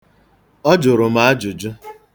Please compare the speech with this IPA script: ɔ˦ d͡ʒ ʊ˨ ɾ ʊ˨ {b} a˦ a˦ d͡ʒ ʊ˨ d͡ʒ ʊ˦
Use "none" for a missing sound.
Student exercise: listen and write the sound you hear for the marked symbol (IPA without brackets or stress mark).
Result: m